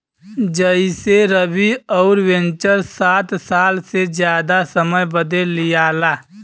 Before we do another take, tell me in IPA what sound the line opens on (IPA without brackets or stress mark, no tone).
d͡ʒ